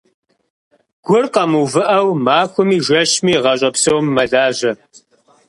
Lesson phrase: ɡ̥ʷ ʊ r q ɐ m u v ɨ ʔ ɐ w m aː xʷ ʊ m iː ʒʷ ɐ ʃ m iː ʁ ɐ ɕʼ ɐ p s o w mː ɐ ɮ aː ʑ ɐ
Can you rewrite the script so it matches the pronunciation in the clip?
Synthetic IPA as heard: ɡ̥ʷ ʊ r q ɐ m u v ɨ ʔ ɐ w m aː xʷ ʊ m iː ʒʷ ɐ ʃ m iː ʁ ɐ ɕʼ ɐ p s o w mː ɐ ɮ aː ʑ ɐ